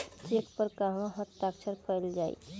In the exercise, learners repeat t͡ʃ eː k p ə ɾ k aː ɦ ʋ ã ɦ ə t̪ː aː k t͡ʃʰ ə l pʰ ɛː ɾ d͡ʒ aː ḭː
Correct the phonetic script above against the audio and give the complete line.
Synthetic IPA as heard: t͡ʃ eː k p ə ɾ k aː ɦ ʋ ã ɦ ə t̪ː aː k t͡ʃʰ ə ɾ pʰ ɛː l d͡ʒ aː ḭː

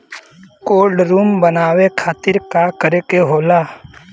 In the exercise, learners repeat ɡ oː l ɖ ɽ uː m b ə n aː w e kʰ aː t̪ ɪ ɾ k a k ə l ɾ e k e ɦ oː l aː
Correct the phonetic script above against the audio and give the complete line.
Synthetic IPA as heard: k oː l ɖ ɾ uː m b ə n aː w e kʰ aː t̪ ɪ ɾ k a k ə ɾ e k e ɦ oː l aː

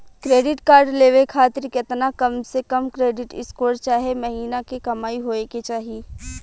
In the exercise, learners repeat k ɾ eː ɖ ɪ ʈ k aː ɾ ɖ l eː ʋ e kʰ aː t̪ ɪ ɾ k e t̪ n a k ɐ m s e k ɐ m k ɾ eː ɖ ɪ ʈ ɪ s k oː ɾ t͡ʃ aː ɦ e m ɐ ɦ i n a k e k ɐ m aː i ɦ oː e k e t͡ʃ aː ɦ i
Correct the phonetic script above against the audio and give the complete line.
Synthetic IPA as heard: k ɾ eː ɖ ɪ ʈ k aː ɾ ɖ l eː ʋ e kʰ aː t̪ ɪ ɾ k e t̪ n a k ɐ m s e k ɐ m k ɾ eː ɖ ɪ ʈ ɪ s k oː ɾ t͡ʃ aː ɦ e m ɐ ɦ iː n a k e k ɐ m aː i ɦ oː e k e t͡ʃ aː ɦ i

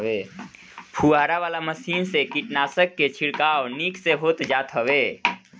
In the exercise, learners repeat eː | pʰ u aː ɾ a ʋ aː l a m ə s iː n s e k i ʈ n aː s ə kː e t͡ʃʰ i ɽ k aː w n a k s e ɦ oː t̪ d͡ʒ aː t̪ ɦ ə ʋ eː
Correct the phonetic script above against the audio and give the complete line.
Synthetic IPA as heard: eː | pʰ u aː ɾ a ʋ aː l a m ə s iː n s e k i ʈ n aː s ə kː e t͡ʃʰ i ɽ k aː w n i k s e ɦ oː t̪ d͡ʒ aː t̪ ɦ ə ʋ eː

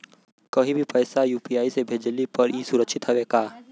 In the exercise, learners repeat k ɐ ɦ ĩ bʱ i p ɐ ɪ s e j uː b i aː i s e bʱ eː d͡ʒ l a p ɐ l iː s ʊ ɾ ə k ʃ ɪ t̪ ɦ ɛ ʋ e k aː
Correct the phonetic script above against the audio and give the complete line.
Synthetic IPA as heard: k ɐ ɦ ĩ bʱ i p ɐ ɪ s a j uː p i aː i s e bʱ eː d͡ʒ l i p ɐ ɾ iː s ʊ ɾ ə k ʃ ɪ t̪ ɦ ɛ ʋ e k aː

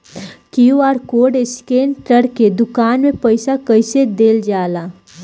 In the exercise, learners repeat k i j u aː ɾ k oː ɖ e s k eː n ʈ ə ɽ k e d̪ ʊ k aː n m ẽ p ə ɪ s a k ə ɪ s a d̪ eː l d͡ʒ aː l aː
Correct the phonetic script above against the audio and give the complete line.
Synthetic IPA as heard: k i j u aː ɾ k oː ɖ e s k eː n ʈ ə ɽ k e d̪ ʊ k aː n m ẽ p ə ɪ s a k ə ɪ s e d̪ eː l d͡ʒ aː l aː

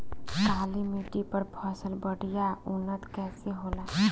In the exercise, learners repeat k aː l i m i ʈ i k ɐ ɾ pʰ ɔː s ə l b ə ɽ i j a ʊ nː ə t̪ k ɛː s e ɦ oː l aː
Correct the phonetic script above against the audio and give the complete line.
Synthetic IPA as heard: k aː l i m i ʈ i p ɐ ɾ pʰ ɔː s ə l b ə ɽ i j a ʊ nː ə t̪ k ɛː s e ɦ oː l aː

